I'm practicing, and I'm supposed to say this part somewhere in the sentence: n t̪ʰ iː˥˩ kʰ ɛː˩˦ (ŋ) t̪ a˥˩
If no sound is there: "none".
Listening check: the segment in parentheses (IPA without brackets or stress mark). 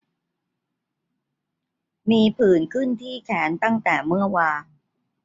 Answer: n